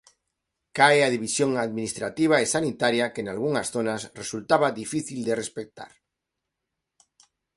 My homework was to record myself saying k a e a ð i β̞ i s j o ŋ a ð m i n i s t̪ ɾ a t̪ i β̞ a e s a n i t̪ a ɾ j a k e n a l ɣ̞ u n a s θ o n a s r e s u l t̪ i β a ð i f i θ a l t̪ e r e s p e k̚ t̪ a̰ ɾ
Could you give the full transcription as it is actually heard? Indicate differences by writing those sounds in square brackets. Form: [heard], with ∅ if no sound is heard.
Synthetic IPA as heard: k a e a ð i β̞ i s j o ŋ a ð m i n i s t̪ ɾ a t̪ i β̞ a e s a n i t̪ a ɾ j a k e n a l ɣ̞ u [ŋ] a s θ o n a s r e s u l t̪ [a] β a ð i f i θ [i] l [d̪] e r e s p e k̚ t̪ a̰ ɾ